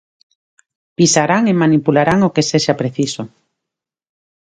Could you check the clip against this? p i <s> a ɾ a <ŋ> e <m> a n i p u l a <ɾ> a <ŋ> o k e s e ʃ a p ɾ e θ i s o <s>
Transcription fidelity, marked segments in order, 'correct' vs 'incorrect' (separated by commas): correct, correct, correct, correct, correct, incorrect